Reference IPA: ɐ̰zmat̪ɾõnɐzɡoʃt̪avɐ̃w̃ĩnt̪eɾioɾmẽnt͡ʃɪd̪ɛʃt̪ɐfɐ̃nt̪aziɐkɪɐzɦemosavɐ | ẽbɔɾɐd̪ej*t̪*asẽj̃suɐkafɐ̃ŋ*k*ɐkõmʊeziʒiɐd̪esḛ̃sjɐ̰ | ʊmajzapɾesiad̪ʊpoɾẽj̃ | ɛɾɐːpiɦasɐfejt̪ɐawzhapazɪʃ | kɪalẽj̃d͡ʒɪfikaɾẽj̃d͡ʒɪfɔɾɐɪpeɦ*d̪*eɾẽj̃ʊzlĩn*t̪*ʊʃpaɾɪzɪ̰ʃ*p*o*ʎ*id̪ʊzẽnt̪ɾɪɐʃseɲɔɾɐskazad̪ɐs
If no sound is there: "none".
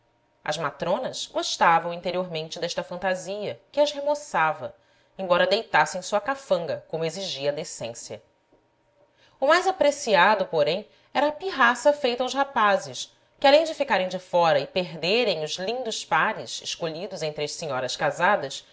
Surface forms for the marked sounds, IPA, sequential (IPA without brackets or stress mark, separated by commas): t̪, ɡ, d̪, d̪, k, ʎ